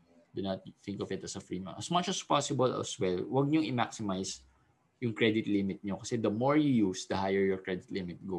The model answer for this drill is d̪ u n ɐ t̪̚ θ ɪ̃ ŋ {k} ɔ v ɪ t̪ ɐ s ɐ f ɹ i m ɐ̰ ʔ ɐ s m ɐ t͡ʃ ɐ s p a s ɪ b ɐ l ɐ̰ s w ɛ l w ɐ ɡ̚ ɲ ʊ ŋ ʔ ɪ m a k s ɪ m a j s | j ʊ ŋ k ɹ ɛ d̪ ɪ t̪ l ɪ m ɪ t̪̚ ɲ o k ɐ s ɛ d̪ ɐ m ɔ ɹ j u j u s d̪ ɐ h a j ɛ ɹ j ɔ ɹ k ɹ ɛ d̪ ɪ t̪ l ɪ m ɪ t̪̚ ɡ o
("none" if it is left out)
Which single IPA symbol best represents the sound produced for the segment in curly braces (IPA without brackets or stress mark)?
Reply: k